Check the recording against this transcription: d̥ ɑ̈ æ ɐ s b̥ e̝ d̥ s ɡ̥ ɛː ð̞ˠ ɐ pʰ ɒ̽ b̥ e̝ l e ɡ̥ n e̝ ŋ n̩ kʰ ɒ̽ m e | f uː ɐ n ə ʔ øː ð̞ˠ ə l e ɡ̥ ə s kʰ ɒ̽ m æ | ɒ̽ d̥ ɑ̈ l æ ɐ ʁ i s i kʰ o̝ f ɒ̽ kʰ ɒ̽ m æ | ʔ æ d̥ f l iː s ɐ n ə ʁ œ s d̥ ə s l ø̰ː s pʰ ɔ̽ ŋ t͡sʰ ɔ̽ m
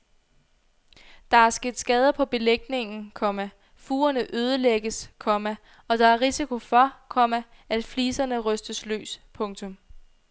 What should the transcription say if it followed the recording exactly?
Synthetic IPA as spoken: d̥ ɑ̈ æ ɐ s ɡ̥ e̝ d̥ s ɡ̥ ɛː ð̞ˠ ɐ pʰ ɒ̽ b̥ e̝ l e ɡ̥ n e̝ ŋ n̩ kʰ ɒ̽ m æ | f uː ɐ n ə ʔ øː ð̞ˠ ə l e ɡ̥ ə s kʰ ɒ̽ m æ | ɒ̽ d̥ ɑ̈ æ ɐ ʁ i s i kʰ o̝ f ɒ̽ kʰ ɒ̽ m æ | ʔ æ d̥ f l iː s ɐ n ə ʁ œ s d̥ ə s l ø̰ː s pʰ ɔ̽ ŋ t͡sʰ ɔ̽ m